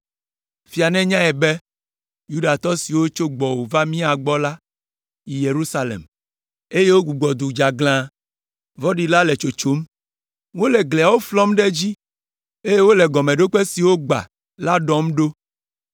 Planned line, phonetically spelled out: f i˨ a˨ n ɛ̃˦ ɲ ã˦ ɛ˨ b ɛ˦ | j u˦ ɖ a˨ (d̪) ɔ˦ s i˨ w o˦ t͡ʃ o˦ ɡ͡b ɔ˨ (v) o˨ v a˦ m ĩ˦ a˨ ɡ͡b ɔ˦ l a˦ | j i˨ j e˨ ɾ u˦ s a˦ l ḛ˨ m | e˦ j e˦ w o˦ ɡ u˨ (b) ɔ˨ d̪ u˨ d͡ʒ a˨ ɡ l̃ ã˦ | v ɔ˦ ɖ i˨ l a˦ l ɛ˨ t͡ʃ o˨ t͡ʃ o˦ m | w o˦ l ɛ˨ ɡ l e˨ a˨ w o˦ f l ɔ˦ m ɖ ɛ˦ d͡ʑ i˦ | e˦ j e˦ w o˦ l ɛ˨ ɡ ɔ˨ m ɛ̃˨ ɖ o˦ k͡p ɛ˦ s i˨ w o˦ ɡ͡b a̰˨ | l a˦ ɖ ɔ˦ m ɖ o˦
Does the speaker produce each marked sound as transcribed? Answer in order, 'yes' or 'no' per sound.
no, no, no

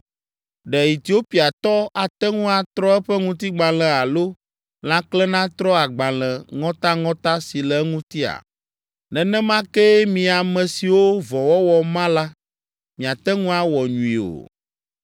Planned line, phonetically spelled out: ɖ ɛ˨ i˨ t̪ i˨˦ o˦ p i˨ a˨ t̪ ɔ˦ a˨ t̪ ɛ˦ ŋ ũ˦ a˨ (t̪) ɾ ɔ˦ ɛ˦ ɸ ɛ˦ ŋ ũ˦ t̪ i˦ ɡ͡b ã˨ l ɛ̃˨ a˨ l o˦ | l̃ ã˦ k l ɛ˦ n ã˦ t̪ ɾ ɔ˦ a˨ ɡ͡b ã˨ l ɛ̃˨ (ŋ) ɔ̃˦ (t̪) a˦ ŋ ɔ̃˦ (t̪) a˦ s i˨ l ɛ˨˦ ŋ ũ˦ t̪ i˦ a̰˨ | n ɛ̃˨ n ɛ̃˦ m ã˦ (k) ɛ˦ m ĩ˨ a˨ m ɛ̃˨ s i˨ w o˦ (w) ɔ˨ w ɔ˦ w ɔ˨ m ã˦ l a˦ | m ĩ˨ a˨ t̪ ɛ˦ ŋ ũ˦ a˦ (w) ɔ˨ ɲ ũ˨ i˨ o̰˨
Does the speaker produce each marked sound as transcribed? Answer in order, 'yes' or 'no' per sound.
yes, yes, yes, yes, yes, no, yes

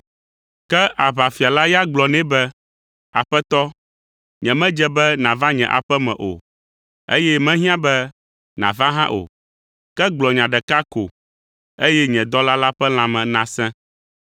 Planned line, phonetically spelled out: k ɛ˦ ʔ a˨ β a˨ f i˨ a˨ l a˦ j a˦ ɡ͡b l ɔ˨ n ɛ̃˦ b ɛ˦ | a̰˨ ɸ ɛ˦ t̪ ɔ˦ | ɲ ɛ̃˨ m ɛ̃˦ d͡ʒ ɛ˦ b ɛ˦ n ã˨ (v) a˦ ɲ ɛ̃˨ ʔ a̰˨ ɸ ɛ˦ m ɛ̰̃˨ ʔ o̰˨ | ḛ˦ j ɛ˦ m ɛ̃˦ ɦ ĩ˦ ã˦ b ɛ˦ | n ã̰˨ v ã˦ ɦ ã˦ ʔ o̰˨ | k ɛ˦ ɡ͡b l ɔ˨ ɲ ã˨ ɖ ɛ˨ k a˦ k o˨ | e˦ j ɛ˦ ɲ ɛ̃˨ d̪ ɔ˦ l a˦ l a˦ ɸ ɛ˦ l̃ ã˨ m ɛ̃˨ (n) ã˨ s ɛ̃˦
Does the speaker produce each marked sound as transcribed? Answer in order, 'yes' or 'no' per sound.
yes, yes

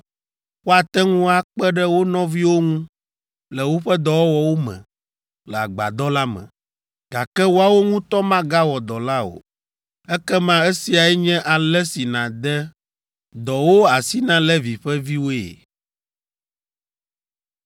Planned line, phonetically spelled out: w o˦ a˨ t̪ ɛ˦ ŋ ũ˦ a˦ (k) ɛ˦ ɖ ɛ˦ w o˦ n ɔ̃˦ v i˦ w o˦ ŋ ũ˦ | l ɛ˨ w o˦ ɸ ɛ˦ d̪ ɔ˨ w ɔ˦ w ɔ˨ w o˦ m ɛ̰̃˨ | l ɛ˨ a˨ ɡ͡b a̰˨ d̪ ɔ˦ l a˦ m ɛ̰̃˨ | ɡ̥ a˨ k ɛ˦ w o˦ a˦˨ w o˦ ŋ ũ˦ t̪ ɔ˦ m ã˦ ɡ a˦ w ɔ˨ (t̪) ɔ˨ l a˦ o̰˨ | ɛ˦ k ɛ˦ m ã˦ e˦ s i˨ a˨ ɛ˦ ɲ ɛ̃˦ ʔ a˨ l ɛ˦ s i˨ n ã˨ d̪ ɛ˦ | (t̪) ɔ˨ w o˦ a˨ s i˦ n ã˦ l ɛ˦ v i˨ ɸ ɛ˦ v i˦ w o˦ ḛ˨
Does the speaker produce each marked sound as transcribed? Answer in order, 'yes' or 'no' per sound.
no, no, no

